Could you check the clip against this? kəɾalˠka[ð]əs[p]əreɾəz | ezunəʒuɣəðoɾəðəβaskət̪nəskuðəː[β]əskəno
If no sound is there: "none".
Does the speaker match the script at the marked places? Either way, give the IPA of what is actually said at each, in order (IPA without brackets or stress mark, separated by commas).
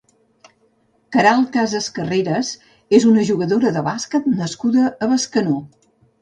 z, k, β